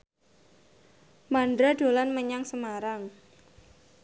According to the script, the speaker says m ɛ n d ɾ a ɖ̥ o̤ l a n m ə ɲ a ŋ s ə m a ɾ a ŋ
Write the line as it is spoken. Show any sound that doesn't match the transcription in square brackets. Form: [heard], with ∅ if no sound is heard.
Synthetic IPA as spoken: m [a] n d ɾ a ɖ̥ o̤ l a n m ə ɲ a ŋ s ə m a ɾ a ŋ